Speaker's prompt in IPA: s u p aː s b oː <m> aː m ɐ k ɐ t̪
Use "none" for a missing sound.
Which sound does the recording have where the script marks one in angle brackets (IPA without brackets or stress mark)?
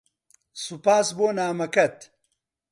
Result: n